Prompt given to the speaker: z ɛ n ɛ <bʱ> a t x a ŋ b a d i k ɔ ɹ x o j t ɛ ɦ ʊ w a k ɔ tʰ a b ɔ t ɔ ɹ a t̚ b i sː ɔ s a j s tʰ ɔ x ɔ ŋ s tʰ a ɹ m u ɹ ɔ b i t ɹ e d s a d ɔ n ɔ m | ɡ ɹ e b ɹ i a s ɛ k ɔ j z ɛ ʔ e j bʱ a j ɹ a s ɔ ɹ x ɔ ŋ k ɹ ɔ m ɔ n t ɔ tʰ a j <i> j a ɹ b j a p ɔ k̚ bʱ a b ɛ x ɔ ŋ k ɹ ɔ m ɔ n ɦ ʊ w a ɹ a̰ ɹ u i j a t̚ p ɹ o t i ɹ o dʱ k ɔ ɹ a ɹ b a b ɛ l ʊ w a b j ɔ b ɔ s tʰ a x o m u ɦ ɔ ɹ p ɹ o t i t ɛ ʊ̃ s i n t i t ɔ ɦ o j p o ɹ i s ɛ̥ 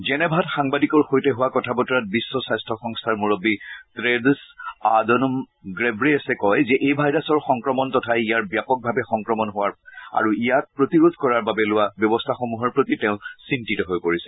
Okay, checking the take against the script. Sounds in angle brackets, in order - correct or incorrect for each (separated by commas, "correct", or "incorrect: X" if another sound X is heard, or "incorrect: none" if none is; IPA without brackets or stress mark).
correct, correct